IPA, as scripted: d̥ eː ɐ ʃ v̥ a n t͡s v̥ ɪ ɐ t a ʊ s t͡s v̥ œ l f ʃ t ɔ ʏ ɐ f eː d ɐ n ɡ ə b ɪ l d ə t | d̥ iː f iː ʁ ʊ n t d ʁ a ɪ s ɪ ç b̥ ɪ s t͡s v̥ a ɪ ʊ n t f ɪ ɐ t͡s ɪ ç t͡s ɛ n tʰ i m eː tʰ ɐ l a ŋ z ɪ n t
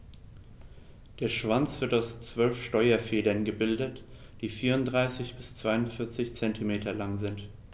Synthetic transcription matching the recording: d̥ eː ɐ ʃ v̥ a n t͡s v̥ ɪ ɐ t a ʊ s t͡s v̥ œ l f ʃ t ɔ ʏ ɐ f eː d ɐ n ɡ ə b ɪ l d ə t | d̥ iː f iː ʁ ʊ n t d ʁ a ɪ s ɪ ç b̥ ɪ s t͡s v̥ a ɪ ʊ n t f ɪ ɐ t͡s ɪ ç t͡s ɛ n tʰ i m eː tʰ ɐ l a ŋ z ɪ n t

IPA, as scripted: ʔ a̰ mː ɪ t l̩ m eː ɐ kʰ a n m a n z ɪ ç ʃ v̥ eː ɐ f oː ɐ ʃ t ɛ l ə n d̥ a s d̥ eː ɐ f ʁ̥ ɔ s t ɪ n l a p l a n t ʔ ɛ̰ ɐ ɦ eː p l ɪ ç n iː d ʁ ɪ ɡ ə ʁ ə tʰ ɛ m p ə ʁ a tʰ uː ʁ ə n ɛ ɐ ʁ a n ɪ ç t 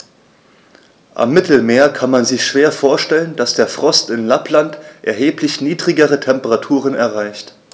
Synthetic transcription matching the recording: ʔ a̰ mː ɪ t l̩ m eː ɐ kʰ a n m a n z ɪ ç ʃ v̥ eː ɐ f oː ɐ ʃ t ɛ l ə n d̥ a s d̥ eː ɐ f ʁ̥ ɔ s t ɪ n l a p l a n t ʔ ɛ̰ ɐ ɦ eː p l ɪ ç n iː d ʁ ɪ ɡ ə ʁ ə tʰ ɛ m p ə ʁ a tʰ uː ʁ ə n ɛ ɐ ʁ a ɪ ç t

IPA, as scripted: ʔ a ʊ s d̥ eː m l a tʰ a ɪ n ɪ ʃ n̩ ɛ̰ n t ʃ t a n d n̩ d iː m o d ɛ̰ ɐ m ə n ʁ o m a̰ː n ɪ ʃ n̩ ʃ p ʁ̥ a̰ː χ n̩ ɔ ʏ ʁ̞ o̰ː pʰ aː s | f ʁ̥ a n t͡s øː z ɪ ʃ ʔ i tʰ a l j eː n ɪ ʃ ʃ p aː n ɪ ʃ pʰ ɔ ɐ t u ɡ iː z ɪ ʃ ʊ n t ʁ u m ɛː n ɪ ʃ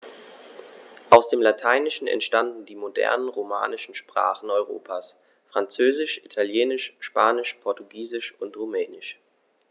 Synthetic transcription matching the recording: ʔ a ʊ s d̥ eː m l a tʰ a ɪ n ɪ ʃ n̩ ɛ̰ n t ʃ t a n d n̩ d iː m o d ɛ̰ ɐ n ə n ʁ o m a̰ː n ɪ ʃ n̩ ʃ p ʁ̥ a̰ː χ n̩ ɔ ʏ ʁ̞ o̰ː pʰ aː s | f ʁ̥ a n t͡s øː z ɪ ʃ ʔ i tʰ a l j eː n ɪ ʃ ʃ p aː n ɪ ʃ pʰ ɔ ɐ t u ɡ iː z ɪ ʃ ʊ n t ʁ u m ɛː n ɪ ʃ

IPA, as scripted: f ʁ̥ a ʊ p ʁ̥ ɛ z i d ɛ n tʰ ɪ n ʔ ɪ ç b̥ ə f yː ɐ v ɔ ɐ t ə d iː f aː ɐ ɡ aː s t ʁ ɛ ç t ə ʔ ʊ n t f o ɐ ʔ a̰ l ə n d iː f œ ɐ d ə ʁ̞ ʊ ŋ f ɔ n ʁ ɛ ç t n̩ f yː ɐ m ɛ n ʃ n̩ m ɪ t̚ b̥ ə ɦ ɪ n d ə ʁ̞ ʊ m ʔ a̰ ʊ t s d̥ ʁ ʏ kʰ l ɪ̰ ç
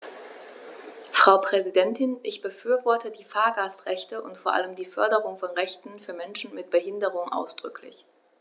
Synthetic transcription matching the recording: f ʁ̥ a ʊ p ʁ̥ ɛ z i d ɛ n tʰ ɪ n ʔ ɪ ç b̥ ə f yː ɐ v ɔ ɐ t ə d iː f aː ɐ ɡ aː s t ʁ ɛ ç t ə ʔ ʊ n t f o ɐ ʔ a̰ l ə m d iː f œ ɐ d ə ʁ̞ ʊ ŋ f ɔ n ʁ ɛ ç t n̩ f yː ɐ m ɛ n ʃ n̩ m ɪ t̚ b̥ ə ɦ ɪ n d ə ʁ̞ ʊ ŋ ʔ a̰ ʊ s d̥ ʁ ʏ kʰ l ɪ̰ ç

